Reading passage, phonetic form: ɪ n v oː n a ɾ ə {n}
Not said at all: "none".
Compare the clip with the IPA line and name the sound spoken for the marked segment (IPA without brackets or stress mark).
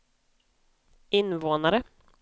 none